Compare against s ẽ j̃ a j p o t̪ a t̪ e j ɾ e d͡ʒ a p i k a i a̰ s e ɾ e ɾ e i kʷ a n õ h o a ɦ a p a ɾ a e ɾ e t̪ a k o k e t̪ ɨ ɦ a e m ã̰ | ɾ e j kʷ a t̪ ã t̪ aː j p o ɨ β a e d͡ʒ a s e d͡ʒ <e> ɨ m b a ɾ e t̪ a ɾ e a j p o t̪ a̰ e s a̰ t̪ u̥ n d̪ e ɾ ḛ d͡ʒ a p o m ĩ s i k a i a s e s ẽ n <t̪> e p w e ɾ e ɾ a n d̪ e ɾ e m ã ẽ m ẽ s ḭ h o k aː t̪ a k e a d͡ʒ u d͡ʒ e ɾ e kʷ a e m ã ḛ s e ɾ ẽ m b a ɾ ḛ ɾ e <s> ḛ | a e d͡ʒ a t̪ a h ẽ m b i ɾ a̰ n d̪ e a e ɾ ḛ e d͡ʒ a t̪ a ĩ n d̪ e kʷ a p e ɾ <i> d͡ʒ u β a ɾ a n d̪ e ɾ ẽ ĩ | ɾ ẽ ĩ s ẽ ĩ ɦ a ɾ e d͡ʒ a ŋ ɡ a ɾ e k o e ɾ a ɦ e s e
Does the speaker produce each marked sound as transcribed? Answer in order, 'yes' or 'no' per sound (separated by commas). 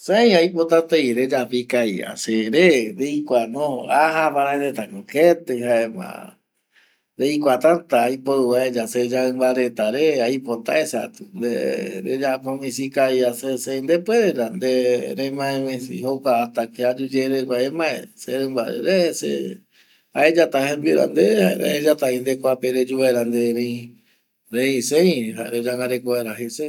no, no, yes, no